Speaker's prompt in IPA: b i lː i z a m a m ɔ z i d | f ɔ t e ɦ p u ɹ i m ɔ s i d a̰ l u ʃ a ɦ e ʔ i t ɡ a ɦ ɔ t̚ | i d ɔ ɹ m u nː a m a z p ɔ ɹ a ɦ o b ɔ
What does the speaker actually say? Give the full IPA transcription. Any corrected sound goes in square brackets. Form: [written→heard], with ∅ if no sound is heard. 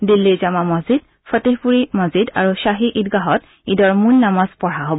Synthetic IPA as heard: [b→d] i lː i z a m a m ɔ z i d | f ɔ t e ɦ p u ɹ i m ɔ [s→z] i d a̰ [l→ɹ] u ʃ a ɦ [e→i] ʔ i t ɡ a ɦ ɔ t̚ | i d ɔ ɹ m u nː a m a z p ɔ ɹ a ɦ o b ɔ

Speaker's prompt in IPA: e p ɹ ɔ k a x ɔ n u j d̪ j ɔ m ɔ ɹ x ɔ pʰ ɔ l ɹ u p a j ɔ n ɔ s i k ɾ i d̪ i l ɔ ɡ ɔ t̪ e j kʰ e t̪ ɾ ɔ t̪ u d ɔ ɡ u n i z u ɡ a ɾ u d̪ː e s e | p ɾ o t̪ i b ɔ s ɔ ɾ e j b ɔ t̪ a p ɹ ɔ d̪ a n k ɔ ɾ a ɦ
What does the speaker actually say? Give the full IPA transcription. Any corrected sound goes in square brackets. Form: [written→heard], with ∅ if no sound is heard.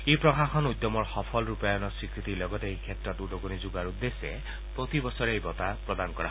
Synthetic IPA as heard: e p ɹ ɔ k a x ɔ n u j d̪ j ɔ m ɔ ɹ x ɔ pʰ ɔ l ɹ u p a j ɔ n ɔ s i k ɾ i [d̪→t̪] i l ɔ ɡ ɔ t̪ e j kʰ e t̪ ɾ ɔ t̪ u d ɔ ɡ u n i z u ɡ a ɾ u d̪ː e s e | p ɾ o t̪ i b ɔ s ɔ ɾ e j b ɔ t̪ a p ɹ ɔ d̪ a n k ɔ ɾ a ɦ

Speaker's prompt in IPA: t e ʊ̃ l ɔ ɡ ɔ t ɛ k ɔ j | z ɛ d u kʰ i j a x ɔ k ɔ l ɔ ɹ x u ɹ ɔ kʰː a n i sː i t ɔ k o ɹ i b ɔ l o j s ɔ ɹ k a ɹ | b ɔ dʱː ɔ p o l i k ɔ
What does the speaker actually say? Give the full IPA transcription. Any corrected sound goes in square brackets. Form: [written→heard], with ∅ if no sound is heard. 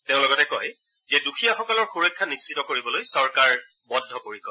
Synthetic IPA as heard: t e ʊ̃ l ɔ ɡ ɔ t ɛ k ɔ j | z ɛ d u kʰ i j a x ɔ k ɔ l ɔ ɹ x u ɹ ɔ kʰː a n i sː i t ɔ k o ɹ i b ɔ l o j s ɔ ɹ k a ɹ | b ɔ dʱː ɔ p o [l→ɹ] i k ɔ

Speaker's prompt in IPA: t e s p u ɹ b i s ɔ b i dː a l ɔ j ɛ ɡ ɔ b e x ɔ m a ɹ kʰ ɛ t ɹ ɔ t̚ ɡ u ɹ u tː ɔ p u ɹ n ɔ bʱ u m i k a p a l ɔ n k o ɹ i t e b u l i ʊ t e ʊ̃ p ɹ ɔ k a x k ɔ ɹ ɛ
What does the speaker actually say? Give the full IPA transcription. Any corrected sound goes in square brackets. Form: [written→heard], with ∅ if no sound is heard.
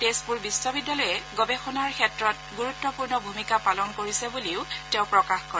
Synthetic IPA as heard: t e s p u ɹ b i s ɔ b i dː a l ɔ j ɛ ɡ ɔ b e x ɔ [m→n] a ɹ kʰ ɛ t ɹ ɔ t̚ ɡ u ɹ u tː ɔ p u ɹ n ɔ bʱ u m i k a p a l ɔ n k o ɹ i [t→s] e b u l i ʊ t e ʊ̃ p ɹ ɔ k a x k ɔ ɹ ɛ

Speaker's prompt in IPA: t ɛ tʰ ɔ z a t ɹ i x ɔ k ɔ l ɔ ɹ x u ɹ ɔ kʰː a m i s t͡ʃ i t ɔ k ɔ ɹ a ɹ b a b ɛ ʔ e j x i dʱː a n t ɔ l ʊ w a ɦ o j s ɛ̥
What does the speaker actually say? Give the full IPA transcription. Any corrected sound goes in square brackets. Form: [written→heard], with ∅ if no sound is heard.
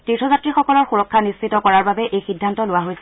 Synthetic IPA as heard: t [ɛ→i] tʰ ɔ z a t ɹ i x ɔ k ɔ l ɔ ɹ x u ɹ ɔ kʰː a [m→n] i s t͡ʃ i t ɔ k ɔ ɹ a ɹ b a b ɛ ʔ e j x i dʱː a n t ɔ l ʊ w a ɦ o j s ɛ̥

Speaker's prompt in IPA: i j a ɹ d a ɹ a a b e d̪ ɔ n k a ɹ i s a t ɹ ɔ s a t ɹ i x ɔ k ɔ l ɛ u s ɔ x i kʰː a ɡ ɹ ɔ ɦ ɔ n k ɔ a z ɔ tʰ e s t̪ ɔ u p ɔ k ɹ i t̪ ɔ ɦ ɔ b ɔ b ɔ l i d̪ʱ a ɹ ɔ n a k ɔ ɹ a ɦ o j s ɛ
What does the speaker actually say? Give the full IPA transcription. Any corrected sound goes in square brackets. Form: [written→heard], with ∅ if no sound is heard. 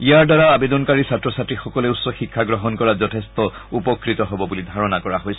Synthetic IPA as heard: i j a ɹ d a ɹ a a b e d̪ ɔ n k a ɹ i s a t ɹ ɔ s a t ɹ i x ɔ k ɔ l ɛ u s ɔ x i kʰː a ɡ ɹ ɔ ɦ ɔ n k ɔ a z ɔ tʰ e s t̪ ɔ u p ɔ k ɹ i t̪ ɔ ɦ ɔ b ɔ b [ɔ→u] l i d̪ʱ a ɹ ɔ n a k ɔ ɹ a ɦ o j s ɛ

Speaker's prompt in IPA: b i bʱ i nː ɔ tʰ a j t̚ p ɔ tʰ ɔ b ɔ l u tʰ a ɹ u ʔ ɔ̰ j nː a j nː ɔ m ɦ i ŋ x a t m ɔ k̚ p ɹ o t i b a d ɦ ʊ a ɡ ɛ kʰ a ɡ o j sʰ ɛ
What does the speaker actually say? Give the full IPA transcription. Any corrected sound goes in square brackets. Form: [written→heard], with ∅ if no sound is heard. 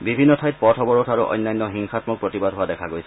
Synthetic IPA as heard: b i bʱ i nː ɔ tʰ a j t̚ p ɔ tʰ ɔ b ɔ [l→ɹ] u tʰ a ɹ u ʔ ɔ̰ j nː a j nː ɔ [m→∅] ɦ i ŋ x a t m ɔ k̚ p ɹ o t i b a d ɦ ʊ a [ɡ→d] ɛ kʰ a ɡ o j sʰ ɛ

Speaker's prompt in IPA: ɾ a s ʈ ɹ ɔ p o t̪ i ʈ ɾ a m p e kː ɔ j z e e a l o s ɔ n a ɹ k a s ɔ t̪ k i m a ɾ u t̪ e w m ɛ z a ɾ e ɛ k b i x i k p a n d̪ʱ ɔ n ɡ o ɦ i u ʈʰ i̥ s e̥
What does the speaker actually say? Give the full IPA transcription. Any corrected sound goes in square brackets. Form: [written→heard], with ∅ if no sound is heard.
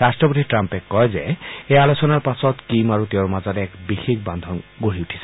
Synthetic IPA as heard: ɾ a s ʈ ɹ ɔ p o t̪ i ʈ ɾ a m p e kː ɔ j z e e a l o s ɔ n a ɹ [k→p] a s ɔ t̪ k i m a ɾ u t̪ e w m [ɛ→a] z a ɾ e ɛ k b i x i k [p→b] a n d̪ʱ ɔ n ɡ o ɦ i u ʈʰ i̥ s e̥

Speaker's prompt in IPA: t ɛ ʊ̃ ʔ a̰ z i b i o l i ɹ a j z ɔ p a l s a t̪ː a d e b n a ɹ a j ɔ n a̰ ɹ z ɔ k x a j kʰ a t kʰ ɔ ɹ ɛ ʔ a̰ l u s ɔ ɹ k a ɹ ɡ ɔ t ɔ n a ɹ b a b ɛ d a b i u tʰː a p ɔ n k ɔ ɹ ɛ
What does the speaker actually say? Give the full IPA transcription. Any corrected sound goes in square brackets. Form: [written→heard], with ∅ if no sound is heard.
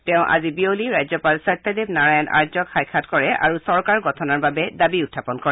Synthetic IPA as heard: t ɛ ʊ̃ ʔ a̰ z i b i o l i ɹ a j z ɔ p a l s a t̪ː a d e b n a ɹ a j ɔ n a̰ ɹ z ɔ k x a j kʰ a t [kʰ→k] ɔ ɹ ɛ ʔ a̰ [l→ɹ] u s ɔ ɹ k a ɹ ɡ ɔ [t→tʰ] ɔ n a ɹ b a b ɛ d a b i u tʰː a p ɔ n k ɔ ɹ ɛ

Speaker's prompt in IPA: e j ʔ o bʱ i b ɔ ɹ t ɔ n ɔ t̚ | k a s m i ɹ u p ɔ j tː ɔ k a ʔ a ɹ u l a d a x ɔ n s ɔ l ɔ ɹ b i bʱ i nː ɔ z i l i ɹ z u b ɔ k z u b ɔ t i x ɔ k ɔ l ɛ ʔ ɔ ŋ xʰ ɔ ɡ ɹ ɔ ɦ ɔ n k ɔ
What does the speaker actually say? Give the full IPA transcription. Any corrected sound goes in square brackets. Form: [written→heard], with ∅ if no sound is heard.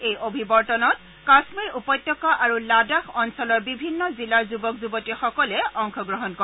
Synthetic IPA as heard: e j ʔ o bʱ i b ɔ ɹ t ɔ n ɔ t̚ | k a s m i ɹ u p ɔ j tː ɔ k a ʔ a ɹ u l a d a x ɔ n s ɔ l ɔ ɹ b i bʱ i nː ɔ z i l [i→a] ɹ z u b ɔ k z u b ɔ t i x ɔ k ɔ l ɛ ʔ ɔ ŋ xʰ ɔ ɡ ɹ ɔ ɦ ɔ n k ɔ

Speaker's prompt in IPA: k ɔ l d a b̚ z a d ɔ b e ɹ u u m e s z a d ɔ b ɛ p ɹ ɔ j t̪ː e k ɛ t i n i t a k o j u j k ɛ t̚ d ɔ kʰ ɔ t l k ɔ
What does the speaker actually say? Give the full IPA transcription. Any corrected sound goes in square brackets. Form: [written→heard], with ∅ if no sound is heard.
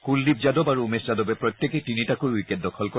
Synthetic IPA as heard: k [ɔ→u] l d [a→i] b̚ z a d ɔ b [e→a] ɹ u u m e s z a d ɔ b ɛ p ɹ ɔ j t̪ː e k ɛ t i n i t a k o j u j k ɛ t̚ d ɔ kʰ ɔ [t→∅] l k ɔ

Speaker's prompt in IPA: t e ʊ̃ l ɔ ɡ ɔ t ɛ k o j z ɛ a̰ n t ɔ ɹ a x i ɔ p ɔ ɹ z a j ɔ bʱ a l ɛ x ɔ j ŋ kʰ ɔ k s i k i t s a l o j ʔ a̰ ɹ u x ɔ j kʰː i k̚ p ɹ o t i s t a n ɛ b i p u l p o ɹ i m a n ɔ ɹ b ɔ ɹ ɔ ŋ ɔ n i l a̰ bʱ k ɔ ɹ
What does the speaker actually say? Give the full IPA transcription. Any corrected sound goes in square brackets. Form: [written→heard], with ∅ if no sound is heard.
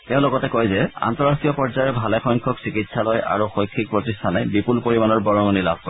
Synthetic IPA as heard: t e ʊ̃ l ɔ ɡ ɔ t ɛ k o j z ɛ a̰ n t ɔ ɹ a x i ɔ p ɔ ɹ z a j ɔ bʱ a l ɛ x ɔ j ŋ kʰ ɔ k s i k i t s a l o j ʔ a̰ ɹ u x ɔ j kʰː i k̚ p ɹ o t i s [t→tʰ] a n ɛ b i p u l p o ɹ i m a n ɔ ɹ b ɔ ɹ ɔ ŋ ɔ n i l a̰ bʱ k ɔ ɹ

